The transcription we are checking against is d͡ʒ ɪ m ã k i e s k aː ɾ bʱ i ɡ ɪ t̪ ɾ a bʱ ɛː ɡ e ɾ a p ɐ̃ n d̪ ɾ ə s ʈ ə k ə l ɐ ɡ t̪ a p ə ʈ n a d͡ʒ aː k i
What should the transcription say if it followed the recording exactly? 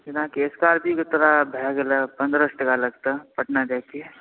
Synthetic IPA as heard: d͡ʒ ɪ n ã k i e s k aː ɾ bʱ i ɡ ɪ t̪ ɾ a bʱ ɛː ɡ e l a p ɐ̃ n d̪ ɾ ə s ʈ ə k a l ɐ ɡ t̪ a p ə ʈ n a d͡ʒ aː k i